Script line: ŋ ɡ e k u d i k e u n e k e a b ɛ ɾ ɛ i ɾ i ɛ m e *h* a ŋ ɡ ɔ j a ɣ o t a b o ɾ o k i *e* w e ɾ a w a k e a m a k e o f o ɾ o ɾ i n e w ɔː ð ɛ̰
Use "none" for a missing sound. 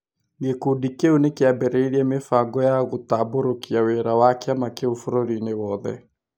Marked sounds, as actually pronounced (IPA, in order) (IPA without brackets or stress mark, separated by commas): f, a